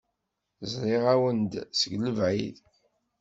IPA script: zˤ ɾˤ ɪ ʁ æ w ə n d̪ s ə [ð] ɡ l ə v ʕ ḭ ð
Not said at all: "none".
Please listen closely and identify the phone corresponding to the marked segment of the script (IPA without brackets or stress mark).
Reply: none